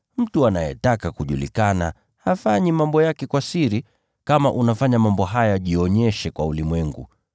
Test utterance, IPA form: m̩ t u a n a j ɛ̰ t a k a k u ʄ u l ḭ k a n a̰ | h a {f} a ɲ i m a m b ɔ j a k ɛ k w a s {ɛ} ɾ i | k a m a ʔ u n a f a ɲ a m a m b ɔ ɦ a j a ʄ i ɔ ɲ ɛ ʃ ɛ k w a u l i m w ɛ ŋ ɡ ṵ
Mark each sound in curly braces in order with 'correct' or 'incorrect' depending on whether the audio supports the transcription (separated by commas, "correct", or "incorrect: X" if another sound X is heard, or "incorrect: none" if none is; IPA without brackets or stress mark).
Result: correct, incorrect: i